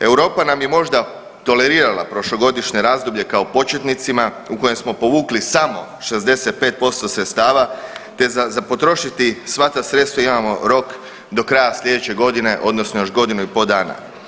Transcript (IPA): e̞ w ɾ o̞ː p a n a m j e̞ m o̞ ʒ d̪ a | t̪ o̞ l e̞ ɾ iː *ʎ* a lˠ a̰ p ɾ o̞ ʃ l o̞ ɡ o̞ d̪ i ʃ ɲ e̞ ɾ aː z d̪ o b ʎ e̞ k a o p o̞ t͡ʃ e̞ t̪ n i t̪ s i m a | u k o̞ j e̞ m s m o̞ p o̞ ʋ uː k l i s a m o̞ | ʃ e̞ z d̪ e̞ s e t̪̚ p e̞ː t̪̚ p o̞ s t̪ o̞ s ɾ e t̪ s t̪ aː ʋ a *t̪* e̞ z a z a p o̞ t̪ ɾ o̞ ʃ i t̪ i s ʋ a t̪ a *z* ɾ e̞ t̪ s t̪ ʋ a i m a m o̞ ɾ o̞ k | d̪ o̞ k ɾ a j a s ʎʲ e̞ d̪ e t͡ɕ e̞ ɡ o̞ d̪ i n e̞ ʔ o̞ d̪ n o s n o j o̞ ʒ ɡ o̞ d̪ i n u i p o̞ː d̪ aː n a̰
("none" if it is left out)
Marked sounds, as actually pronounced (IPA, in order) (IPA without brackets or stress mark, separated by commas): ɾ, t̪, s